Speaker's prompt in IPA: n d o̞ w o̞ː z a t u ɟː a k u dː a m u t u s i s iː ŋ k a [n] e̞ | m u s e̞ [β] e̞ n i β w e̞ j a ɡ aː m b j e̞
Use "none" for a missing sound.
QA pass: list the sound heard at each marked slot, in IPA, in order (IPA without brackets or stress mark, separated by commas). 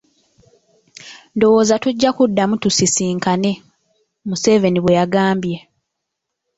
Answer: n, v